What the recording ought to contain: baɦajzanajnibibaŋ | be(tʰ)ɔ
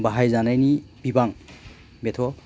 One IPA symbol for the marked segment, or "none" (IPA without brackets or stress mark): tʰ